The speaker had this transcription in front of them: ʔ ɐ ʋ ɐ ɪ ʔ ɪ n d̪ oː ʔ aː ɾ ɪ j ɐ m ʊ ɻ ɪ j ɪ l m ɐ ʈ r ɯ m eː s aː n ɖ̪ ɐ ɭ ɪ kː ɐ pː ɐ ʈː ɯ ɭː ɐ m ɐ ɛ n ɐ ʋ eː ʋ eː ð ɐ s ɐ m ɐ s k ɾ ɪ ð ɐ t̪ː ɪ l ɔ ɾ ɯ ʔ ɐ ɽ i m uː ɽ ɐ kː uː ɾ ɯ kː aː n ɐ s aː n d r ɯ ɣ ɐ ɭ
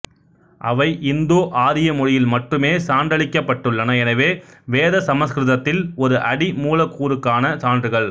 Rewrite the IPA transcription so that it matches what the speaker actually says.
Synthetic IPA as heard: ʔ ɐ ʋ ɐ ɪ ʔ ɪ n d̪ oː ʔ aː ɾ ɪ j ɐ m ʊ ɻ ɪ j ɪ l m ɐ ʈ r ɯ m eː s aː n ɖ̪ ɐ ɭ ɪ kː ɐ pː ɐ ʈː ɯ ɭː ɐ n ɐ ɛ n ɐ ʋ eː ʋ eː ð ɐ s ɐ m ɐ s k ɾ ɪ ð ɐ t̪ː ɪ l ɔ ɾ ɯ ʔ ɐ ɽ i m uː l ɐ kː uː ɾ ɯ kː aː n ɐ s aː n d r ɯ ɣ ɐ ɭ